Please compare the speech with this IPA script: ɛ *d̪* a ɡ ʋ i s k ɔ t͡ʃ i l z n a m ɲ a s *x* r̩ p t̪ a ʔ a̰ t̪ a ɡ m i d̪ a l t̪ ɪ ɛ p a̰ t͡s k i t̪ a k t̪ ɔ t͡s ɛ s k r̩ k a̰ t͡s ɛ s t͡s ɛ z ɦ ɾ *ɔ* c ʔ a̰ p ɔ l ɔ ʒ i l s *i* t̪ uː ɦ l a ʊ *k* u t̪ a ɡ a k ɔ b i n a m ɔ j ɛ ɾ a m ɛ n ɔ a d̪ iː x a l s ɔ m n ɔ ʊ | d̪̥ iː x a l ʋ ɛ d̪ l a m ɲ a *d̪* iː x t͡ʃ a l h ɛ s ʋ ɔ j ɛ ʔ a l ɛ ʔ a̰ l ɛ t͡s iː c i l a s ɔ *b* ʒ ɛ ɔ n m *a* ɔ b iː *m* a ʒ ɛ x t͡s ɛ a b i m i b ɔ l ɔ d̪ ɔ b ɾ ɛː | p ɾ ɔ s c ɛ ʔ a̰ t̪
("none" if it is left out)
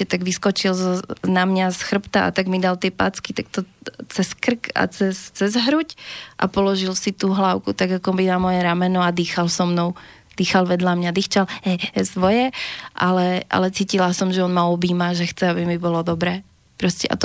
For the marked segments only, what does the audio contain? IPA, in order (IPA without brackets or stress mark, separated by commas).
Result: t̪, x, u, i, k, d̪, m, a, m